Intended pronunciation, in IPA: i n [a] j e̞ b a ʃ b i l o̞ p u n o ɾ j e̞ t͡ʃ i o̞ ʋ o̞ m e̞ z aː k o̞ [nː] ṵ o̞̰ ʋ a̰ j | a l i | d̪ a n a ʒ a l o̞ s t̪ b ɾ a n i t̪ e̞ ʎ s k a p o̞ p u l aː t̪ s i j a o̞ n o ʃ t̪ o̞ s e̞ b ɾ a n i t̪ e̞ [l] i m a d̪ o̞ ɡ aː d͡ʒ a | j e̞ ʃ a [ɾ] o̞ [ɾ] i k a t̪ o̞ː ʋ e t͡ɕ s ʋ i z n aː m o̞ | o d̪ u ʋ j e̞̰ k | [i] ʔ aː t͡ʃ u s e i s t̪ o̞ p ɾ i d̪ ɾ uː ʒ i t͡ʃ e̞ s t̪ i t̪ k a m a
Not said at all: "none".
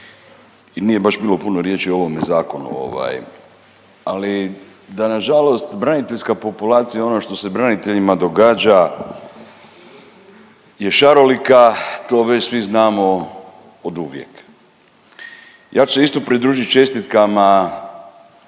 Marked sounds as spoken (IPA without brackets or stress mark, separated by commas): i, n, ʎ, ɾ, l, j